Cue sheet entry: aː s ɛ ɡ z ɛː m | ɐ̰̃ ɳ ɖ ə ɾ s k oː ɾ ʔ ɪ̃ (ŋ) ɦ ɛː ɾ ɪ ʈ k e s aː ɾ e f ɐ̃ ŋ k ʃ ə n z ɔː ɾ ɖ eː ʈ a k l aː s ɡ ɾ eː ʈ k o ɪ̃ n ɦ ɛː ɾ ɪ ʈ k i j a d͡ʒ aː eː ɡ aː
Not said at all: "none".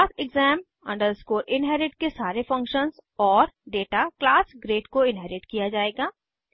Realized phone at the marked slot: n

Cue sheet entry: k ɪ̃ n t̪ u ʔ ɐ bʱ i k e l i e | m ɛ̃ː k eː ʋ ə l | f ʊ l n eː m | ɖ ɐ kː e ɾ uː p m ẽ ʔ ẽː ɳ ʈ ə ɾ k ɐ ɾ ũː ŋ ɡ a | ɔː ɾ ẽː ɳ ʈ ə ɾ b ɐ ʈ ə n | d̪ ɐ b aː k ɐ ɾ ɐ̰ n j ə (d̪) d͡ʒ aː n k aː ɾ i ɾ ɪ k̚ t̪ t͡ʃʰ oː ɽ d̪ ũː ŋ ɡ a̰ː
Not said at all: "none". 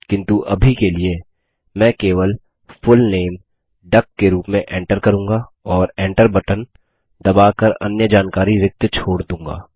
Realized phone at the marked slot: none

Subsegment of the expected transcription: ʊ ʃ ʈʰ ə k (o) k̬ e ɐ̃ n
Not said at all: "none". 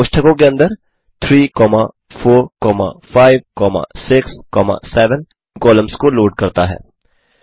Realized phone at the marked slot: õ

